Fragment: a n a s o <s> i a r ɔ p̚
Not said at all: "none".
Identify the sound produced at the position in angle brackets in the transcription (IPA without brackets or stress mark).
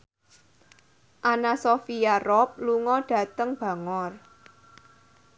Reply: f